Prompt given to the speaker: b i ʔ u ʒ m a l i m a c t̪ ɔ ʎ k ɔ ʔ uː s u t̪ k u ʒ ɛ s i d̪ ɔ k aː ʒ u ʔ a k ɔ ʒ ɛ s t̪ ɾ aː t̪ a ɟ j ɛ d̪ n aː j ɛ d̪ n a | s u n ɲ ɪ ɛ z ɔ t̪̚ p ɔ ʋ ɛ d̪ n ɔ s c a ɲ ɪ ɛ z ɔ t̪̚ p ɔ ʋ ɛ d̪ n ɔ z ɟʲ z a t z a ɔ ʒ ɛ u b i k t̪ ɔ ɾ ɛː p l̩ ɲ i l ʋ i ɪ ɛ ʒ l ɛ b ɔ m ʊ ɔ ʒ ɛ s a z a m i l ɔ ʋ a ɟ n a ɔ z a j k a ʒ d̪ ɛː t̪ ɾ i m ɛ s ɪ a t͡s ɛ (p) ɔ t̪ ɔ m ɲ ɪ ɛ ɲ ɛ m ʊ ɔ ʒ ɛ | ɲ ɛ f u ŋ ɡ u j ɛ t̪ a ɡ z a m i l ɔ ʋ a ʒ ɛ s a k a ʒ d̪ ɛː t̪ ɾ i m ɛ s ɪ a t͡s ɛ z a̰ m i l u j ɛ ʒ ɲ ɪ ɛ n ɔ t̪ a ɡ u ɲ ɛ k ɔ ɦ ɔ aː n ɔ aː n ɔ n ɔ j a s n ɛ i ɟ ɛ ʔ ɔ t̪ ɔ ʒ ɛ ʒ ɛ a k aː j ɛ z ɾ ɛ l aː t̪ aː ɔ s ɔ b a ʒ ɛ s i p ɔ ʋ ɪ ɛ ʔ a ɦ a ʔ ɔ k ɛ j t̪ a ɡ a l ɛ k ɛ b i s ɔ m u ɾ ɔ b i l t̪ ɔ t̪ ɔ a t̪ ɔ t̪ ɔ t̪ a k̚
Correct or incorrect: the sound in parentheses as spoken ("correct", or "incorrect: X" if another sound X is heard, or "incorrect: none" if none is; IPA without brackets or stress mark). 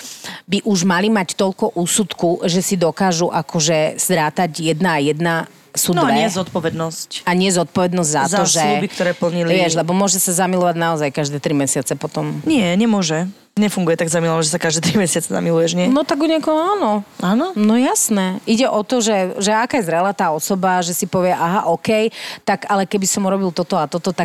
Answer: correct